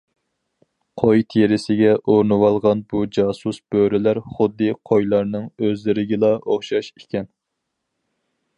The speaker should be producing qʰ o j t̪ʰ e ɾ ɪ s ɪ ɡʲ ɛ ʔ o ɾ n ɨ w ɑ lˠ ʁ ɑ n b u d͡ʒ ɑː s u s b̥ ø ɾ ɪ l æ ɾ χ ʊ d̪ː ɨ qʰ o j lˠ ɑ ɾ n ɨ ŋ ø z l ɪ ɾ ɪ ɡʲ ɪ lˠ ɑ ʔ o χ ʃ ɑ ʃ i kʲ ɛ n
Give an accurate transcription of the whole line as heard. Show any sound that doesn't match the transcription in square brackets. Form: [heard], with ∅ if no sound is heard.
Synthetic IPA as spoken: qʰ o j t̪ʰ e ɾ ɪ s ɪ ɡʲ ɛ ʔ o ɾ n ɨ w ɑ lˠ ʁ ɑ n b u d͡ʒ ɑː s u s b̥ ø ɾ ɪ l æ ɾ χ ʊ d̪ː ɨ qʰ o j lˠ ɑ ɾ n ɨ ŋ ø z l ɪ ɾ ɪ ɡʲ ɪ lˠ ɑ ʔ o χ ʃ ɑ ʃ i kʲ ɛ n

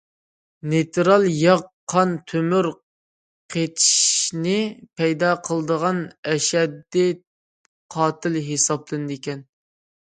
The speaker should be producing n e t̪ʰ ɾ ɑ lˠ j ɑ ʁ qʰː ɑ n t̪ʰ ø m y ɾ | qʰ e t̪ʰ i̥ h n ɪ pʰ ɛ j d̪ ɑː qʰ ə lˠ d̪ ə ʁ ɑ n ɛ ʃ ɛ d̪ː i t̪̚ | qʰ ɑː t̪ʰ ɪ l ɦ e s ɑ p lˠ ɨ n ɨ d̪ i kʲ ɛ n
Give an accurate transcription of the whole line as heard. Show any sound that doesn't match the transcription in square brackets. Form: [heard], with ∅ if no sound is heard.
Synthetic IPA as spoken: n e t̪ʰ ɾ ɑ lˠ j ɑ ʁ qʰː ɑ n t̪ʰ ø m y ɾ | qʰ e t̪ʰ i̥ [ʃ] n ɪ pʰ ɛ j d̪ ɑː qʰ ə lˠ d̪ ə ʁ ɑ n ɛ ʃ ɛ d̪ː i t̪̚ | qʰ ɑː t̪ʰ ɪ l ɦ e s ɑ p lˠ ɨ n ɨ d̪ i kʲ ɛ n

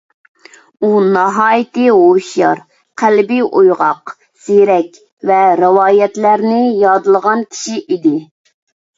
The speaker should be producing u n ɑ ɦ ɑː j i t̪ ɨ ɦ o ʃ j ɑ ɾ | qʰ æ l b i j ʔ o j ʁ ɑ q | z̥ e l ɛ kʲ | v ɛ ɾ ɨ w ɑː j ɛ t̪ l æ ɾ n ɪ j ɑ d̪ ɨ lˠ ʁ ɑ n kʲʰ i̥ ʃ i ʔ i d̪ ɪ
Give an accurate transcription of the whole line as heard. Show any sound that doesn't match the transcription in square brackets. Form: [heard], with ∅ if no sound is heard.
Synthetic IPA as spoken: u n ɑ ɦ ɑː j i t̪ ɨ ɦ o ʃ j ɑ ɾ | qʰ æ l b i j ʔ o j ʁ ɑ q | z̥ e [ɾ] ɛ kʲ | v ɛ ɾ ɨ w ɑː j ɛ t̪ l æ ɾ n ɪ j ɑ d̪ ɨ lˠ ʁ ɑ n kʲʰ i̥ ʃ i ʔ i d̪ ɪ

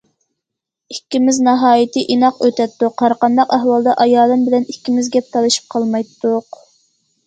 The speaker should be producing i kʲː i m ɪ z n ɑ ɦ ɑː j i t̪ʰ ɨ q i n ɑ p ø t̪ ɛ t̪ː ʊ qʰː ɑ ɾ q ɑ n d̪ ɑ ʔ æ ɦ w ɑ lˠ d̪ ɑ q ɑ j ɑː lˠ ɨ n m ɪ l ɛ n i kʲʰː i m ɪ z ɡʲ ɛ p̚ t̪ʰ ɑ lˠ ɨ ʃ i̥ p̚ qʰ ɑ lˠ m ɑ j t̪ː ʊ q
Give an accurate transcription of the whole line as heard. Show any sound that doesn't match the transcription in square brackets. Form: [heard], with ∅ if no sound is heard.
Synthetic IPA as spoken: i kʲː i m ɪ z n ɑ ɦ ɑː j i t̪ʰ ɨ [ʔ] i n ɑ [q] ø t̪ ɛ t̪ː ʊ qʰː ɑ ɾ q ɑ n d̪ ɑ [q] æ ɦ w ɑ lˠ d̪ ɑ [ʔ] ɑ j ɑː lˠ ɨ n [b] ɪ l ɛ n i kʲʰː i m ɪ z ɡʲ ɛ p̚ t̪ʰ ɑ lˠ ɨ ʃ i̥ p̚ qʰ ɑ lˠ m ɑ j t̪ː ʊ q

